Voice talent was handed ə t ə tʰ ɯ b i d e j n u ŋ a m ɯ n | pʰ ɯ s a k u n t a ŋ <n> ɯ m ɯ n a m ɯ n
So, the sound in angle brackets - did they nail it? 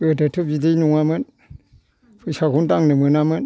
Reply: yes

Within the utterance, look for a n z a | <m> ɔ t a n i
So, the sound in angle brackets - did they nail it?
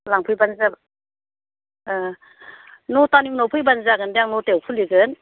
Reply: no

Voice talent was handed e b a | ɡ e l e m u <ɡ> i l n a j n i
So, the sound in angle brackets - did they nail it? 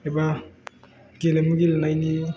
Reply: yes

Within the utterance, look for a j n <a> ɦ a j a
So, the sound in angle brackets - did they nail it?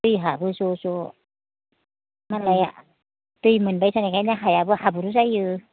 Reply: yes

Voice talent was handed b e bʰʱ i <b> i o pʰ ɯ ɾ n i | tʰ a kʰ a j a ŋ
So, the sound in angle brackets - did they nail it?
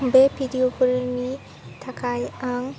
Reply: no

